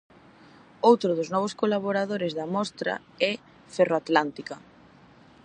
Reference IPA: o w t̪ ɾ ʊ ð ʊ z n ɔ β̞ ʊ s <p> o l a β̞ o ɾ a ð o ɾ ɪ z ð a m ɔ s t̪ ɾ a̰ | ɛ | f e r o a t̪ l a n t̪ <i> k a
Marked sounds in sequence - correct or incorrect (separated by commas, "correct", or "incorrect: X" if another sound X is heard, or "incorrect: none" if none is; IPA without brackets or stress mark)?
incorrect: k, correct